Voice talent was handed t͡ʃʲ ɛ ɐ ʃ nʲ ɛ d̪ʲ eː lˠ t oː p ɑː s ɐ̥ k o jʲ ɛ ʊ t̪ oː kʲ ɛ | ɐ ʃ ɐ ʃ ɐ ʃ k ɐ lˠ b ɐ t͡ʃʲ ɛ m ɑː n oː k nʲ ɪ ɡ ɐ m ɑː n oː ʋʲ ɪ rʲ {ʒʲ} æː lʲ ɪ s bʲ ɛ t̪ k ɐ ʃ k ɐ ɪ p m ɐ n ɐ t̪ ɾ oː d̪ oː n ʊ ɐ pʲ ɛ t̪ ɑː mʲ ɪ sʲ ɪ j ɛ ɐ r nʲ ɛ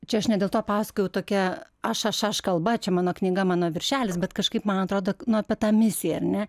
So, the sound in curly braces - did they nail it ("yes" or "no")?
no